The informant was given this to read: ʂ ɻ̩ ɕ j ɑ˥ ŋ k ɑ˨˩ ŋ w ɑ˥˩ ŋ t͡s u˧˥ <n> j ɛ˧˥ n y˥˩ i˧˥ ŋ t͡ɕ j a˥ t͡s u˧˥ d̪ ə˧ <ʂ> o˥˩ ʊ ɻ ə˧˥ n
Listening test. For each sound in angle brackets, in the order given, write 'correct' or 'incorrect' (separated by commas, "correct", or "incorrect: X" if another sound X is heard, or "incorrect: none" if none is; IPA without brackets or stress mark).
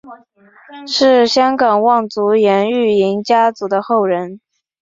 incorrect: none, incorrect: x